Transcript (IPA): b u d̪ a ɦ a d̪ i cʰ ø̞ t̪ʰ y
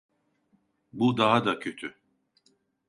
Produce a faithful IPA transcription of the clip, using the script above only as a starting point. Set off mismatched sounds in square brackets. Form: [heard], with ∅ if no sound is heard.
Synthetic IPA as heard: b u d̪ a ɦ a d̪ [a] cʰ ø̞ t̪ʰ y